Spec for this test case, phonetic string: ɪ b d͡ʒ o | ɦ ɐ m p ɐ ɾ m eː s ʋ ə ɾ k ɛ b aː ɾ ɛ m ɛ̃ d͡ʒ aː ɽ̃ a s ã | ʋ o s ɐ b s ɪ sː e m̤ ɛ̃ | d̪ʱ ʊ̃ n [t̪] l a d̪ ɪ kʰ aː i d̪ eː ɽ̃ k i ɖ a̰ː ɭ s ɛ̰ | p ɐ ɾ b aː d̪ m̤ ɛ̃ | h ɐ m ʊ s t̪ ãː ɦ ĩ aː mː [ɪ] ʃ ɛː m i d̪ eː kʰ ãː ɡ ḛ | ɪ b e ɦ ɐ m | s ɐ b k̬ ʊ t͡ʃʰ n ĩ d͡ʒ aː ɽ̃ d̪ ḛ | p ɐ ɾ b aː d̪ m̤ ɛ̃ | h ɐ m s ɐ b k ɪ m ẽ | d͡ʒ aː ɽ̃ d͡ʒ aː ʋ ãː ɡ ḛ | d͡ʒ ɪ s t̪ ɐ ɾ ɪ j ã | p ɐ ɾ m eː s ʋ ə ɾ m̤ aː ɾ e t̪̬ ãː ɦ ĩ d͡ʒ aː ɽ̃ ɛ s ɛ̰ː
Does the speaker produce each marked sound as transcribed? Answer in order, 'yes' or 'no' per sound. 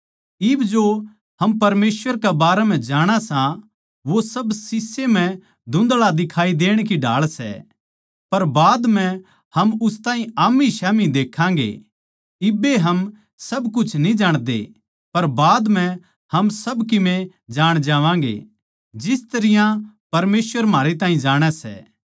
no, no

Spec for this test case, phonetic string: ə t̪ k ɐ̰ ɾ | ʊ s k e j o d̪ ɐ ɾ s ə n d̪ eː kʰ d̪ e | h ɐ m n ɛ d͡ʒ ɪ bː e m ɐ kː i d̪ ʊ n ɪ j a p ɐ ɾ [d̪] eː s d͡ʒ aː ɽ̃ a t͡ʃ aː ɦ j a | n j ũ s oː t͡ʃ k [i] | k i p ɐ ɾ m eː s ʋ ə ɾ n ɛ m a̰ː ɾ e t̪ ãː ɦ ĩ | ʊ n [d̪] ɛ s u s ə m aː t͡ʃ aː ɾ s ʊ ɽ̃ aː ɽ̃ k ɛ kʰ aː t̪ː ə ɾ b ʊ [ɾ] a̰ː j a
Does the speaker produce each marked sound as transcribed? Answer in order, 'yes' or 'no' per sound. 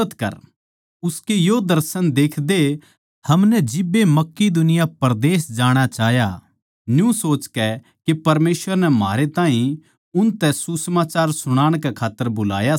yes, no, no, no

